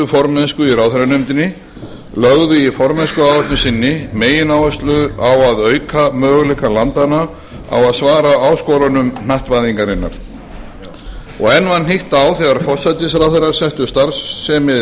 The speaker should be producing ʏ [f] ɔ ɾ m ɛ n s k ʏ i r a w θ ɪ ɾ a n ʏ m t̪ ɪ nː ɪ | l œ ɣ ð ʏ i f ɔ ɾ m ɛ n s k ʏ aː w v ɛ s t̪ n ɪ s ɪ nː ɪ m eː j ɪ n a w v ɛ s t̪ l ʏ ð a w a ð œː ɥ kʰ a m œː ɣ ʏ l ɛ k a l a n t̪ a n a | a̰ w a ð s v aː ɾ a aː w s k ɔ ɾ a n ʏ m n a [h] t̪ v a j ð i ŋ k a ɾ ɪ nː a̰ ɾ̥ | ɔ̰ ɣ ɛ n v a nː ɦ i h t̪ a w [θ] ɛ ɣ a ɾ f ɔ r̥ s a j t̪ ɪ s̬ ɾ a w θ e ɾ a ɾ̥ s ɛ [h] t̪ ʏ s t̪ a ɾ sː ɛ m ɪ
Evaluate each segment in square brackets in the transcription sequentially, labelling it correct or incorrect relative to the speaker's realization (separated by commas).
correct, correct, correct, correct